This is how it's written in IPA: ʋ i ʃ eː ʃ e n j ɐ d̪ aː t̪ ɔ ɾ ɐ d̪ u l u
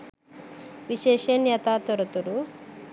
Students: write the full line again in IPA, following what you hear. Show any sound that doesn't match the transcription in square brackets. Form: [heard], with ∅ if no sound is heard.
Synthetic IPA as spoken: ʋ i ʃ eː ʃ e n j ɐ [t̪] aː t̪ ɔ ɾ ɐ [t̪] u [ɾ] u